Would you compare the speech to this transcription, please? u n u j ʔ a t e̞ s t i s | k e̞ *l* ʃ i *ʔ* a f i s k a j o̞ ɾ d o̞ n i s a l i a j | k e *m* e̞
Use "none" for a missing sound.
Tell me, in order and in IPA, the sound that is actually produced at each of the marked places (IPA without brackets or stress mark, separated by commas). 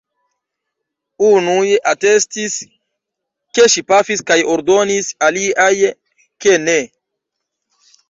none, p, n